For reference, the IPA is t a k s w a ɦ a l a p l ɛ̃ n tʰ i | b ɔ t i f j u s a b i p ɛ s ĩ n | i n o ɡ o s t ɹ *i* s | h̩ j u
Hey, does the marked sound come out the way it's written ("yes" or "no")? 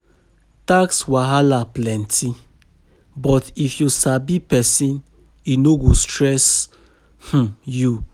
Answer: no